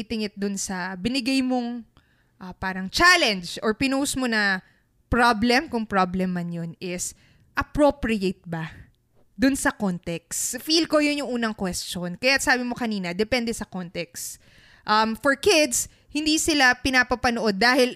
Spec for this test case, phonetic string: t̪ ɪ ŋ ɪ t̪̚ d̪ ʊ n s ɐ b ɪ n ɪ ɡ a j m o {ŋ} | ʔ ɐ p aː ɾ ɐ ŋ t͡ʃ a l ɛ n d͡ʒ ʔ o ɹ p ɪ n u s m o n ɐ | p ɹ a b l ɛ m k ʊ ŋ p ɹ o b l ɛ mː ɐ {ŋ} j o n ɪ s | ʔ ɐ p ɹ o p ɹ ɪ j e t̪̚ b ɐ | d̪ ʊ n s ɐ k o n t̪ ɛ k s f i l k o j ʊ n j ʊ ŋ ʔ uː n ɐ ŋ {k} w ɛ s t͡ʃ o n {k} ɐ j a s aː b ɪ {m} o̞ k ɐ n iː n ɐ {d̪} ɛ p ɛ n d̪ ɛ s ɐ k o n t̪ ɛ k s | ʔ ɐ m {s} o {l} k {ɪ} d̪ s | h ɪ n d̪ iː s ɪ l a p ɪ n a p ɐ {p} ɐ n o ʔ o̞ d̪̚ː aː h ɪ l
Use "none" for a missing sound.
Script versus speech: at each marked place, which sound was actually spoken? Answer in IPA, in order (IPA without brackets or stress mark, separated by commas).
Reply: ŋ, n, k, k, m, d̪, f, ɹ, ɪ, p